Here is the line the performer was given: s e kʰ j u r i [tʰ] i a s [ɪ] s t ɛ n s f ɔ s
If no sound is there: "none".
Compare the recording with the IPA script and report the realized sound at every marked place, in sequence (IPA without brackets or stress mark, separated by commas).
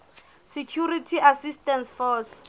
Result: tʰ, i